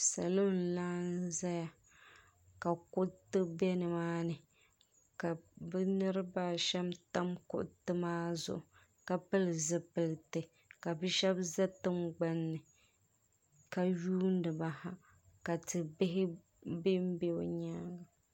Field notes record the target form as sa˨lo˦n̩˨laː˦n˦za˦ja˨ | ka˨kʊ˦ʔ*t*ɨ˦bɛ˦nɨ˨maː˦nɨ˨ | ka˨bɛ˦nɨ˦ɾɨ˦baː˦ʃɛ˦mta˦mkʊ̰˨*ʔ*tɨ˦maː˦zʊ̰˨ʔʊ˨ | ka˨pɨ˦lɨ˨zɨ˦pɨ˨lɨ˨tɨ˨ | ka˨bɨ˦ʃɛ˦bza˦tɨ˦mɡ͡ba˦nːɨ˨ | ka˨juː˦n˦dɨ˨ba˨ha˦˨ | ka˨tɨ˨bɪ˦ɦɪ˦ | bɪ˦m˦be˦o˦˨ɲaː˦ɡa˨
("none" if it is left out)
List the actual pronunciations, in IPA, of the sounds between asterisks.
t, ʔ

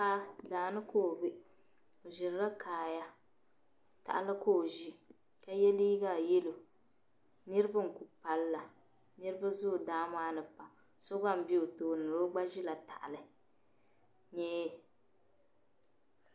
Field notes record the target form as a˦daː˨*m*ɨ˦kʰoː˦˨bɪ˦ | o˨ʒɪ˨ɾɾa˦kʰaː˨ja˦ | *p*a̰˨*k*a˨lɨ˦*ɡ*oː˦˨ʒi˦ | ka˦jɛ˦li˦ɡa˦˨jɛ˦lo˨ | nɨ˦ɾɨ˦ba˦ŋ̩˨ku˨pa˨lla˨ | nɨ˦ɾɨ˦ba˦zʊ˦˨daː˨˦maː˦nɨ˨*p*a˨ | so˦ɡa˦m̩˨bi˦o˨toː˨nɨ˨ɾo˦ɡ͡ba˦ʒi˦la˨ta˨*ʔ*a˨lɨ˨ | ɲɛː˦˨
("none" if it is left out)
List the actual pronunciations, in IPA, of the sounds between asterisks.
n, t, ʔ, k, p, ʔ

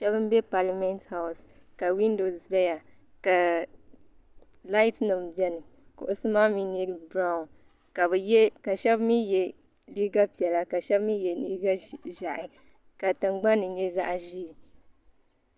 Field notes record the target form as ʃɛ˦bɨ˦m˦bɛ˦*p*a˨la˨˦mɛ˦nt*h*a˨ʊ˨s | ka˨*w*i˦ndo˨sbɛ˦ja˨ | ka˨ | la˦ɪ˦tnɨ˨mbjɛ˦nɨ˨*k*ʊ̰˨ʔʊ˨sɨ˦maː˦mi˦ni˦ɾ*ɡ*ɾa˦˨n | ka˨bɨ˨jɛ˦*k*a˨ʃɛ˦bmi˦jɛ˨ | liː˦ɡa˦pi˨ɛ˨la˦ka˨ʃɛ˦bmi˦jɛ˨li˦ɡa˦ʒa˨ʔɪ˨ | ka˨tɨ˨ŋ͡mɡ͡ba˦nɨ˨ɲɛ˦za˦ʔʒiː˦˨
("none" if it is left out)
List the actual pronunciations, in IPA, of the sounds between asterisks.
p, h, w, k, b, k

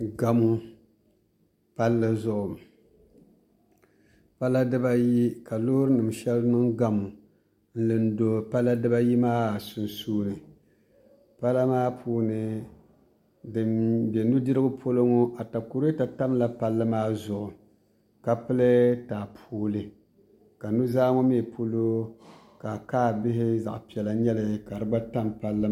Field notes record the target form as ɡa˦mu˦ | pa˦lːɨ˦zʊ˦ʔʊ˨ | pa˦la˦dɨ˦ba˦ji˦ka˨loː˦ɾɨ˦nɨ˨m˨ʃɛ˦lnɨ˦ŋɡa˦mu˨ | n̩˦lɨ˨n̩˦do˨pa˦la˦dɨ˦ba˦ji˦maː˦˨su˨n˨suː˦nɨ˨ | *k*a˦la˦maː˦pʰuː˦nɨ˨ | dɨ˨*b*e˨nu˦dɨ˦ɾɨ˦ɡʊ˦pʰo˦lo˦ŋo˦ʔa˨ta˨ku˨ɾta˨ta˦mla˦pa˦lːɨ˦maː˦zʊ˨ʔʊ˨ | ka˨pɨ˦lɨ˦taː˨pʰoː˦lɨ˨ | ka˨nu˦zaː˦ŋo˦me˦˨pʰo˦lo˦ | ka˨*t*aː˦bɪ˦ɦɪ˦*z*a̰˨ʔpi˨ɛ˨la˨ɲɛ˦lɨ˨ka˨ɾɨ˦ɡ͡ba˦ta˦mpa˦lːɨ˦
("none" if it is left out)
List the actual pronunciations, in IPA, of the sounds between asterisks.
p, b, k, z

